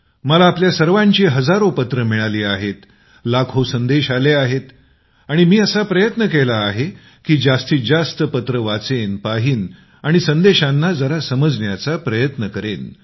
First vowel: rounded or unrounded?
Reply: unrounded